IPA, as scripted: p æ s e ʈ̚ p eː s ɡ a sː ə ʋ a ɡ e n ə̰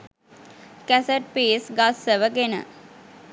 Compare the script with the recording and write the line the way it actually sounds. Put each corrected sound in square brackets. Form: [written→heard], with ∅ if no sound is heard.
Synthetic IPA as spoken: [p→k] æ s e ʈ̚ p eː s ɡ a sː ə ʋ [a→ə] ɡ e n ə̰